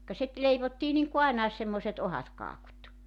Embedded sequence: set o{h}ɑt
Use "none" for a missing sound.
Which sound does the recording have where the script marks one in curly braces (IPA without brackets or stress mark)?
h